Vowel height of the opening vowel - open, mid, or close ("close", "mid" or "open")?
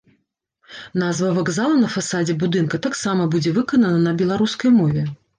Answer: open